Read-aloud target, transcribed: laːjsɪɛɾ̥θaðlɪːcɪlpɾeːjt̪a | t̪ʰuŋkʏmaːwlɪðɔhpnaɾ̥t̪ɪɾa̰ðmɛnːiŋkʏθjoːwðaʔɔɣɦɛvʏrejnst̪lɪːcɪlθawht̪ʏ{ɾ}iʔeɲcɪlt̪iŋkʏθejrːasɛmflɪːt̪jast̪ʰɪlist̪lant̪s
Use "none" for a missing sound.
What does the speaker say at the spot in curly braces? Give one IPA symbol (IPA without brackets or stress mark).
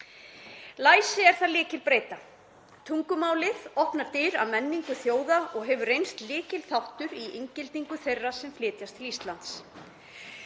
ɾ